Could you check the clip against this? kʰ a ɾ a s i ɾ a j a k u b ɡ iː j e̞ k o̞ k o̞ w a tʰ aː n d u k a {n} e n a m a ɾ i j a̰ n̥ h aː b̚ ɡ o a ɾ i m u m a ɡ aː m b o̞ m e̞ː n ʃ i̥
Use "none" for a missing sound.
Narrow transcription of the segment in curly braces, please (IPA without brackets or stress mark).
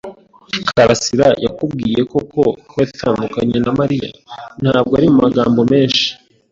ɲ